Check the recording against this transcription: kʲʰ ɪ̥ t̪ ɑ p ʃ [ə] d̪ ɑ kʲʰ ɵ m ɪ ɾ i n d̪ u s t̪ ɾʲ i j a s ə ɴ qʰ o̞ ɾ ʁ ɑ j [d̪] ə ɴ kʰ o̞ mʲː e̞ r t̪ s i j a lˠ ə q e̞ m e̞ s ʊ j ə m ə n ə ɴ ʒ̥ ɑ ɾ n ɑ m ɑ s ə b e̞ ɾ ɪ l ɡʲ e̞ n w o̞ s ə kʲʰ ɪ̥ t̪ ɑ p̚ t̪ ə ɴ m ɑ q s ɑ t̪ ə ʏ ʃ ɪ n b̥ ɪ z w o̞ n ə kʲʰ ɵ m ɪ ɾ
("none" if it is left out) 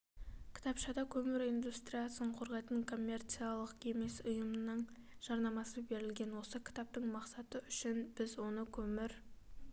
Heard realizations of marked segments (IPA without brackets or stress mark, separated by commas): ɑ, t̪